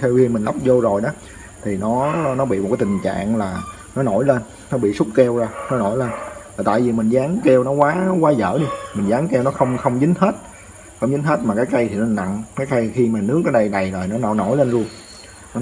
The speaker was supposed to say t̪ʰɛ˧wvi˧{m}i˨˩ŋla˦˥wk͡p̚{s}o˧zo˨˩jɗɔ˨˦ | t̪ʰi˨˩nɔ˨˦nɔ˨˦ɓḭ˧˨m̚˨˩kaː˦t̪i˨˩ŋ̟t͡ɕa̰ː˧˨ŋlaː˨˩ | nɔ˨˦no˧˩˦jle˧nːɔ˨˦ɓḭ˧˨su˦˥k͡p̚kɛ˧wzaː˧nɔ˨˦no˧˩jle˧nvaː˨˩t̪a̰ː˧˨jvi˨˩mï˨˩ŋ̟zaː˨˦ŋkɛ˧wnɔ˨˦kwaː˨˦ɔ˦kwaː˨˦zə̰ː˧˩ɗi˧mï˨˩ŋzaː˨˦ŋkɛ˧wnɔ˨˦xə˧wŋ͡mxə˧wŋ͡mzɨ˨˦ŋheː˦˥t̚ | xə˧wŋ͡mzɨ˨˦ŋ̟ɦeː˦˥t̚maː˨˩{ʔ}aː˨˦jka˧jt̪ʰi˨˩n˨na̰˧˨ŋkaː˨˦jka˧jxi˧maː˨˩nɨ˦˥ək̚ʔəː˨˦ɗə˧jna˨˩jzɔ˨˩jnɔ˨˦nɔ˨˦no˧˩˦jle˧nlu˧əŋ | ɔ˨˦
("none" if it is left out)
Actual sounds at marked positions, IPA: m, z, k

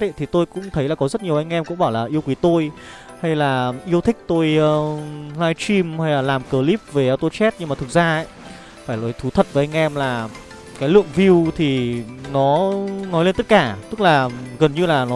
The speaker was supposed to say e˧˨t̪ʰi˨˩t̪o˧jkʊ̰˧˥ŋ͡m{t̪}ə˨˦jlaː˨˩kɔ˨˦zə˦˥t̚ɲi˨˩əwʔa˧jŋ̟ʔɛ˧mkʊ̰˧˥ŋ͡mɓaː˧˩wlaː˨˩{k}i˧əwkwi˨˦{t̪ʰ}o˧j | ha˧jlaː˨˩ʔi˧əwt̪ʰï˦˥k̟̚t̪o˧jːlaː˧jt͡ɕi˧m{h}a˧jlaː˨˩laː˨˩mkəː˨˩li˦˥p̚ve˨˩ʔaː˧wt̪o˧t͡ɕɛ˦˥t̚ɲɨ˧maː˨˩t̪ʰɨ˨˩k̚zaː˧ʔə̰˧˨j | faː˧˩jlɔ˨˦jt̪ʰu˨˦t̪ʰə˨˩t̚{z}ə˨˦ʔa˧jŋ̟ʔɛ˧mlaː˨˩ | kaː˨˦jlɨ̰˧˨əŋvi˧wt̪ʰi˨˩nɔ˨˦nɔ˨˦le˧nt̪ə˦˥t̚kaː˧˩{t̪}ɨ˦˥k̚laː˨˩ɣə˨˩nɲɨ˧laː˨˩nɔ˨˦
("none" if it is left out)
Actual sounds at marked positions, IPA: t̪ʰ, ʔ, t̪, h, v, t̪

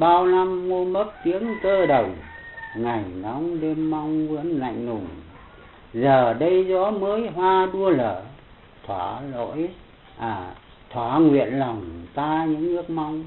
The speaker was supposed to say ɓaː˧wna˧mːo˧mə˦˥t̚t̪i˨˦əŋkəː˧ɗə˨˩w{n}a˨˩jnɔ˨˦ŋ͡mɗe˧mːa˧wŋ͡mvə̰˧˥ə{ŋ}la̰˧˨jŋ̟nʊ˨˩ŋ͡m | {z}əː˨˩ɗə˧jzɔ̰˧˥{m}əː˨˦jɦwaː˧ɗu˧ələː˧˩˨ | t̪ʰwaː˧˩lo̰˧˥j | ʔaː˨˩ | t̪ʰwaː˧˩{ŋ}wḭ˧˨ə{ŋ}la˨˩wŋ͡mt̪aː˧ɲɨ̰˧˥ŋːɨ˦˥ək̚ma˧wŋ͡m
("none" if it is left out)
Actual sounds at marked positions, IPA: ŋ, n, z, m, ŋ, n

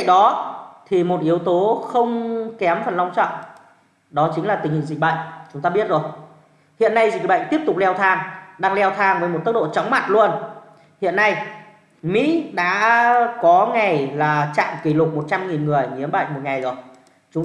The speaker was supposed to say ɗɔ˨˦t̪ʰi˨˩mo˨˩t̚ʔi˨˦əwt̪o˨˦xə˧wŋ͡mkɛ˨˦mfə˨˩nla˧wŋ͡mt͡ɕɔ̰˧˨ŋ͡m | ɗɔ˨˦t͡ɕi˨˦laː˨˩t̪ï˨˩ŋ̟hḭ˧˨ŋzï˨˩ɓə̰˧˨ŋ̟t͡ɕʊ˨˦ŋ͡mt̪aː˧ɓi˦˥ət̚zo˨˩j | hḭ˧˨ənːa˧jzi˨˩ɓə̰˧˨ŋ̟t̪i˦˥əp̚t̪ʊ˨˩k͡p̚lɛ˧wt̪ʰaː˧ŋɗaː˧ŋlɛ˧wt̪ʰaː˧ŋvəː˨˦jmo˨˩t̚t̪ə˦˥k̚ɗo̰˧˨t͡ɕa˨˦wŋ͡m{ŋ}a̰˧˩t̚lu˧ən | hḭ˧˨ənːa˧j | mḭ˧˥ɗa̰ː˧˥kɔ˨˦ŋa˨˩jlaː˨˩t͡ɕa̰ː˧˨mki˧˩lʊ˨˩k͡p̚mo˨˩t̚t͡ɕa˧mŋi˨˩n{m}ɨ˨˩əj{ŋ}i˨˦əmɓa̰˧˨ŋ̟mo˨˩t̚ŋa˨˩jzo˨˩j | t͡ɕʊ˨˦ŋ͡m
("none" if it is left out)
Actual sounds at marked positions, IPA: m, ŋ, ŋ

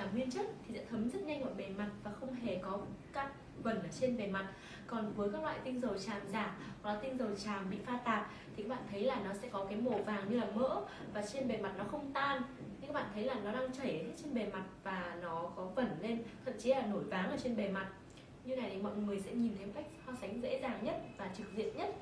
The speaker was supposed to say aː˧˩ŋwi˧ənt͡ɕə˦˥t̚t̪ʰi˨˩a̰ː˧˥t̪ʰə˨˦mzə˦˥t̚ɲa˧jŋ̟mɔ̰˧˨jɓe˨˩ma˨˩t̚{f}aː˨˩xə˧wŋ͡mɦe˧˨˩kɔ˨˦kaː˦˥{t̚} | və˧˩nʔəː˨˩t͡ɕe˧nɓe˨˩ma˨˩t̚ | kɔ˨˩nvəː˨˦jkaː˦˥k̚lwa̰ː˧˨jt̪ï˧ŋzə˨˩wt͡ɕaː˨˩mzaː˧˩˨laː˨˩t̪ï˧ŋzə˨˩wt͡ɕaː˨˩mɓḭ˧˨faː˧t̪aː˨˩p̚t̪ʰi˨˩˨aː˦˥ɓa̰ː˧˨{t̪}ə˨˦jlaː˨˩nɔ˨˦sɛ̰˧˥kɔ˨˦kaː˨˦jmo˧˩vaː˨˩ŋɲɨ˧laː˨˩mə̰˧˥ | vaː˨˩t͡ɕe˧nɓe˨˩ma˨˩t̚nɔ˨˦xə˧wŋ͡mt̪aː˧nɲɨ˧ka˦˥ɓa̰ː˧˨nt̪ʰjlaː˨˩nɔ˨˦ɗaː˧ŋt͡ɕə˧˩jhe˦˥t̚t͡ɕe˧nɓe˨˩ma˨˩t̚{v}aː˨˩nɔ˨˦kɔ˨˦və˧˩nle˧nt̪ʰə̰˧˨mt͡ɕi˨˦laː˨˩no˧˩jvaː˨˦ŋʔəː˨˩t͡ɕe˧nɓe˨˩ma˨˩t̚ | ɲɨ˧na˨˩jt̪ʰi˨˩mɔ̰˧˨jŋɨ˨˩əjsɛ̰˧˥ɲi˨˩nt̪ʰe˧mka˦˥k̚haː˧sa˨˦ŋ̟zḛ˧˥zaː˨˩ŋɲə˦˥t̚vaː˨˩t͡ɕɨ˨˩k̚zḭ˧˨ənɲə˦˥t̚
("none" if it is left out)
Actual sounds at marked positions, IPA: v, k̚, t̪ʰ, v

